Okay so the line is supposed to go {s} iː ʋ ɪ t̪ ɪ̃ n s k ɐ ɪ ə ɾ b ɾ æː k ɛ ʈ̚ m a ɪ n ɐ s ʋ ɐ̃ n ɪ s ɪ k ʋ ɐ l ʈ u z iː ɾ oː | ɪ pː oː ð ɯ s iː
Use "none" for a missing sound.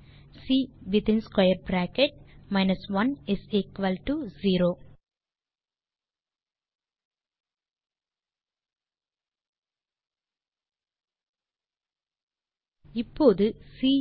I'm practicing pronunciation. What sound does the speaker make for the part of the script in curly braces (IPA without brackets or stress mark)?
s